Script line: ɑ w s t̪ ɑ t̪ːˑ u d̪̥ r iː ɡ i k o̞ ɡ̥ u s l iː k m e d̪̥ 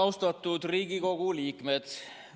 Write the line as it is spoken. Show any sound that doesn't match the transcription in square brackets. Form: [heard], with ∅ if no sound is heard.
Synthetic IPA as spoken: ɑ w s t̪ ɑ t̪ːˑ u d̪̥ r iː ɡ i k o̞ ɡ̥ u [∅] l iː k m e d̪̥